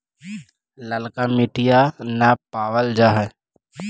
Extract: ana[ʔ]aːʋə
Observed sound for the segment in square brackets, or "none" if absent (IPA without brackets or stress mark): p